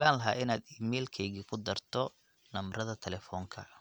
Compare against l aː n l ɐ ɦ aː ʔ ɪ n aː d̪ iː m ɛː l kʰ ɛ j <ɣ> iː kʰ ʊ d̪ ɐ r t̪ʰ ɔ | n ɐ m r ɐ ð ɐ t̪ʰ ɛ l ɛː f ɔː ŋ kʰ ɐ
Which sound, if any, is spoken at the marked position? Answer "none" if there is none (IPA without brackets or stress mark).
ɣ